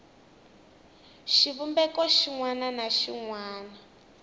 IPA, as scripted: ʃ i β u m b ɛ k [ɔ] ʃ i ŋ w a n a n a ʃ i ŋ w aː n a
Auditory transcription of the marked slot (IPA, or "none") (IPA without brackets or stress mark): ɔ